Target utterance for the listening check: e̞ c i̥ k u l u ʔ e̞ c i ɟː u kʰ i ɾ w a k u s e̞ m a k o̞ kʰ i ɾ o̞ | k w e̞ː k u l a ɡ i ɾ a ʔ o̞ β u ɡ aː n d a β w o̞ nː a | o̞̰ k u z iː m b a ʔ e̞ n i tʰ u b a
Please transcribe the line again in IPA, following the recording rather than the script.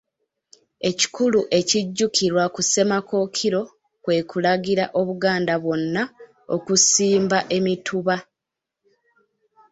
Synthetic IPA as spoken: e̞ c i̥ k u l u ʔ e̞ c i ɟː u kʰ i ɾ w a k u s e̞ m a k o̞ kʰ i ɾ o̞ | k w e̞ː k u l a ɡ i ɾ a ʔ o̞ β u ɡ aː n d a β w o̞ nː a | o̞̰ k u s iː m b a ʔ e̞ m i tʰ u β a